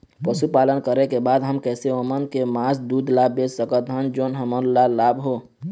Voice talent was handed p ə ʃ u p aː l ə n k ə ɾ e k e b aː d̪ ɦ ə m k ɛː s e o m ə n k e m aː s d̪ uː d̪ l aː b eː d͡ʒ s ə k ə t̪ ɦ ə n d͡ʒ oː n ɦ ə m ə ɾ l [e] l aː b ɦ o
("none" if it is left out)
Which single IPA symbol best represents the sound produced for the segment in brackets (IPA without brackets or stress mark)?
a